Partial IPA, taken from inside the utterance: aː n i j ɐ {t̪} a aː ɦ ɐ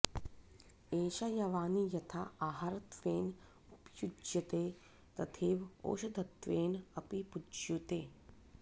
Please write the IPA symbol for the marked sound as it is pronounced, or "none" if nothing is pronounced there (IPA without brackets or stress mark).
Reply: t̪ʰ